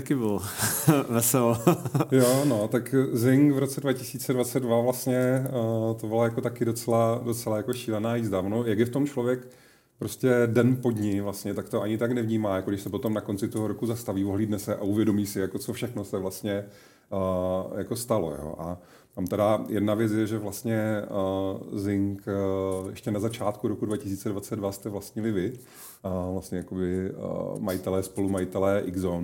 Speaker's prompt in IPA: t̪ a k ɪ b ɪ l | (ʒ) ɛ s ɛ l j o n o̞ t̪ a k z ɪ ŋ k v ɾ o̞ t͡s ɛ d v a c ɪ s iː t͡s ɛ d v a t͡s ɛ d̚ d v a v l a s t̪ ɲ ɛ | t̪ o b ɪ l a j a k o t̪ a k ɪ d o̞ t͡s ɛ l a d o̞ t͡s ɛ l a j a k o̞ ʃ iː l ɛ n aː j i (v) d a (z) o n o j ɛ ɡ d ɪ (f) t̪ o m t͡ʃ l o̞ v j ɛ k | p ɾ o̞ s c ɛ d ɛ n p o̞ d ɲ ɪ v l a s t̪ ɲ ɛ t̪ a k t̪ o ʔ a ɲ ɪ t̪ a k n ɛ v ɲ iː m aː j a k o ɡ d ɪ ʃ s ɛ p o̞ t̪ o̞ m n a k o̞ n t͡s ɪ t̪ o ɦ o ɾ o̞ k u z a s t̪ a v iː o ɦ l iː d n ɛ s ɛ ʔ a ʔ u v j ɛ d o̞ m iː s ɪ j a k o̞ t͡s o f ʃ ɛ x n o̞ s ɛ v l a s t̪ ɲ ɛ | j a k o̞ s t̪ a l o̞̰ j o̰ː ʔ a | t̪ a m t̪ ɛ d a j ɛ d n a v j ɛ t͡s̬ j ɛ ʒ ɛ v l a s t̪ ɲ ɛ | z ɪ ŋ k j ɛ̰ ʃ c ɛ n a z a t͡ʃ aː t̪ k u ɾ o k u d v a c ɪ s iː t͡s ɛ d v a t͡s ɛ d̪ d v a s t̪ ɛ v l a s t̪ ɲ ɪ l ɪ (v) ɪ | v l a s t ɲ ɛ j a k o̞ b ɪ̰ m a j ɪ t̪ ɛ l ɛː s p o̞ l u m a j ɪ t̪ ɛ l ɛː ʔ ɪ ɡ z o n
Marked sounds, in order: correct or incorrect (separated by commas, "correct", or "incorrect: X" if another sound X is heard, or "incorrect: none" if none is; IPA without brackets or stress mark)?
incorrect: v, incorrect: z, incorrect: v, correct, correct